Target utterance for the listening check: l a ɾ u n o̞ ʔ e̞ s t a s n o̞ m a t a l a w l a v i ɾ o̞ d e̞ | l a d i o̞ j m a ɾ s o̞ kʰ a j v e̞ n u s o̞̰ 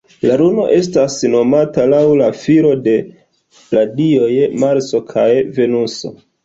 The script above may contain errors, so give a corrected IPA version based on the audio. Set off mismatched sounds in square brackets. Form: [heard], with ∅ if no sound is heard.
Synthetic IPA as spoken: l a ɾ u n o̞ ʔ e̞ s t a s n o̞ m a t a l a w l a [f] i ɾ o̞ d e̞ | l a d i o̞ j m a ɾ s o̞ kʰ a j v e̞ n u s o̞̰